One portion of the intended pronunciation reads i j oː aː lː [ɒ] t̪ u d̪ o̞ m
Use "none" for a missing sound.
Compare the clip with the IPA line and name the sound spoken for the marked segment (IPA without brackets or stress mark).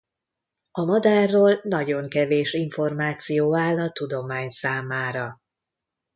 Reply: ɒ